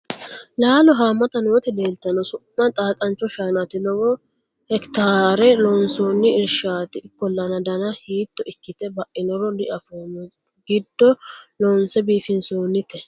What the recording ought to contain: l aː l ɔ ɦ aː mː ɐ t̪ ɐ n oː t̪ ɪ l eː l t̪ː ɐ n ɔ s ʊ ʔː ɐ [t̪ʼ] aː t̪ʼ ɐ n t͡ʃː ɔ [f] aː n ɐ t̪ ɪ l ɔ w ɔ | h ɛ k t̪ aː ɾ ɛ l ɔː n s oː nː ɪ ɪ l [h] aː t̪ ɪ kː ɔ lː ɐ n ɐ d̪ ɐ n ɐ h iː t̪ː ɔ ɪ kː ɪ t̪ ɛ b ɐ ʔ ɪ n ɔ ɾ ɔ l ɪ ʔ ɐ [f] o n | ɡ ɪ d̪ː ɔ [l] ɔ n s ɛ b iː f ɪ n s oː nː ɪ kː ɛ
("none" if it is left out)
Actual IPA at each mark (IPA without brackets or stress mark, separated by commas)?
t̪ʼ, ʃ, ʃ, f, l